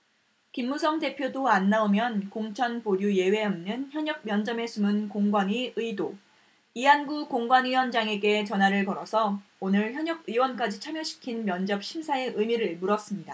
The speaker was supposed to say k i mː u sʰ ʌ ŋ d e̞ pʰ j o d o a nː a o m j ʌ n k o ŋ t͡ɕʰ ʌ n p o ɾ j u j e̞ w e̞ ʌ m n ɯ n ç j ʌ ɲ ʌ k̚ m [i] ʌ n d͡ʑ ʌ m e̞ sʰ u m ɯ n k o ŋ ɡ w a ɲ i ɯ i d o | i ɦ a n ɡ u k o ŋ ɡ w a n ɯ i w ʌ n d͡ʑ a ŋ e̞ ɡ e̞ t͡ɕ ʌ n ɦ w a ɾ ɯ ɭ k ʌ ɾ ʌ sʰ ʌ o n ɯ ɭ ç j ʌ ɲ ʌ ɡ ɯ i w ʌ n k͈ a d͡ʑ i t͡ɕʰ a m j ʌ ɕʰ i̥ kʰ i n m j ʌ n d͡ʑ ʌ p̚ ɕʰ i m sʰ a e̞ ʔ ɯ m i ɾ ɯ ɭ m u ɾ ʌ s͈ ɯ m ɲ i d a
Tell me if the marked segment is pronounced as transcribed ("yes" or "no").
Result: no